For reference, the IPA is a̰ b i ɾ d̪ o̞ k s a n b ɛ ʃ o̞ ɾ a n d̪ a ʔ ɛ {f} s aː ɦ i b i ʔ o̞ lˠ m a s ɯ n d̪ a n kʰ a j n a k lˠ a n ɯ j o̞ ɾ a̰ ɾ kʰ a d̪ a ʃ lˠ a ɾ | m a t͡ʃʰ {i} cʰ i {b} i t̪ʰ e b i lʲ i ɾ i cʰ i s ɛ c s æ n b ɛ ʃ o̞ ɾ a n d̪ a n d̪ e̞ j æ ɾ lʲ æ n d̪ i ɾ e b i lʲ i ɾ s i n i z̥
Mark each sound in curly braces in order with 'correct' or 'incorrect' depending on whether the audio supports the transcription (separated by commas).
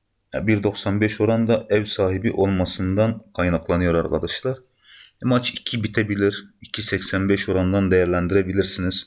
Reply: incorrect, correct, correct